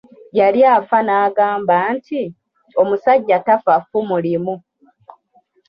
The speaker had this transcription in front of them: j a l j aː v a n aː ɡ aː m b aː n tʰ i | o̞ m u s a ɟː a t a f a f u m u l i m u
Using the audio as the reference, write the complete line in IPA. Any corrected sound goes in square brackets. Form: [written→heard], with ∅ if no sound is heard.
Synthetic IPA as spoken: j a l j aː [v→f] a n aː ɡ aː m b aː n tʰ i | o̞ m u s a ɟː a t a f a f u m u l i m u